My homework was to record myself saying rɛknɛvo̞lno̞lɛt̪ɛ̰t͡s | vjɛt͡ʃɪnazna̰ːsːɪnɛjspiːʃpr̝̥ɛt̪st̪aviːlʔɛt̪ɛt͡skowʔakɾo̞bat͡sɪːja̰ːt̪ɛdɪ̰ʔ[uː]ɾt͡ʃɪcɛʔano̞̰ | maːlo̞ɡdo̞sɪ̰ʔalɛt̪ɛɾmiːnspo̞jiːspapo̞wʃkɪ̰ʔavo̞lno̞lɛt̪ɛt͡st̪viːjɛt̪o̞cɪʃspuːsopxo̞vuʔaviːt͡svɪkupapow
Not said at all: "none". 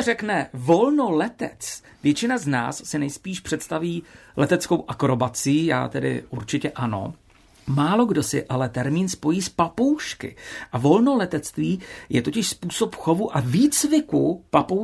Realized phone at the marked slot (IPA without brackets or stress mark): u